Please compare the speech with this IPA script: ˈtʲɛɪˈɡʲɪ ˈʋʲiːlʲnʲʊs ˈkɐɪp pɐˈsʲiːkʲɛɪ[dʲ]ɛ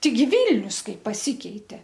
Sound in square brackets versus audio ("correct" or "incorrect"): incorrect